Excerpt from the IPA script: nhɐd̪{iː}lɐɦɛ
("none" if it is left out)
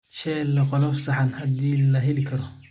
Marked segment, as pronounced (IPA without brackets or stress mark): iː